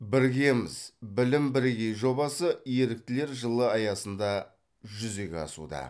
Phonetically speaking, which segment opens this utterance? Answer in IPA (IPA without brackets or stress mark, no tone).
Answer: b